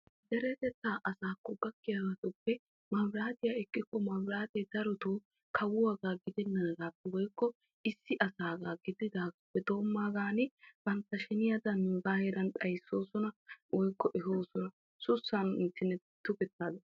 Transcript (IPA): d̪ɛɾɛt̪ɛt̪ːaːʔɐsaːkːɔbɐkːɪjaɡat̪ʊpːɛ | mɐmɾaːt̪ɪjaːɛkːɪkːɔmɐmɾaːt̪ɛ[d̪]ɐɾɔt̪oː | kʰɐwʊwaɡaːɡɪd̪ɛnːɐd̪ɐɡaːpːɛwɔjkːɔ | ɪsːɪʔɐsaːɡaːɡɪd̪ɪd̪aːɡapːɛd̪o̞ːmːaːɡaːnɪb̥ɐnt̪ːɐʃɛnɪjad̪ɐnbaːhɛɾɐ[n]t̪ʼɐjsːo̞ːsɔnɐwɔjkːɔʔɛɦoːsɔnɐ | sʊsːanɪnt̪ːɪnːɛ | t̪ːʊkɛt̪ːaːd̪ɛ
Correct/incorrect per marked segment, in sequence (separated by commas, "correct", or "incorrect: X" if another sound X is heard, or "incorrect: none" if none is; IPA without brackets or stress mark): correct, correct